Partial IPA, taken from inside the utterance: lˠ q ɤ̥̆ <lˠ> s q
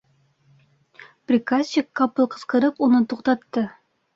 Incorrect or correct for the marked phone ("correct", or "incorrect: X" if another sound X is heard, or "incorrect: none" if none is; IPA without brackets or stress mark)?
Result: incorrect: none